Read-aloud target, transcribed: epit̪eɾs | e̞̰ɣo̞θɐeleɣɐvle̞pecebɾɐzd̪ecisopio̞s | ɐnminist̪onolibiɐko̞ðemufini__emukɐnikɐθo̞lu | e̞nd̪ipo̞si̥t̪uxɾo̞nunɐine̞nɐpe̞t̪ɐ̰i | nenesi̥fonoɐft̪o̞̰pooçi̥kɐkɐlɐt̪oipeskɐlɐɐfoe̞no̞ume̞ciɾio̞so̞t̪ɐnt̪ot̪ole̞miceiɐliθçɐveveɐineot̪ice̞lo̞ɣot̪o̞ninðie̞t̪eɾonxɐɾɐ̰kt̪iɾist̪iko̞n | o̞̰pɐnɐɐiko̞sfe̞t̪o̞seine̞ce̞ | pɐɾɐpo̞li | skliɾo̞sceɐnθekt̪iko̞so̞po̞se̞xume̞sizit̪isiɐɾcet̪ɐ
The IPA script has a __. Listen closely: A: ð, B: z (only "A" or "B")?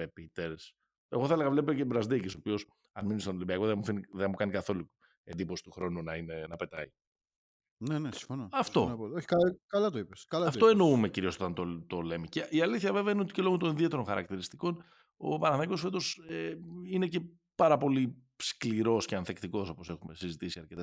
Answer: A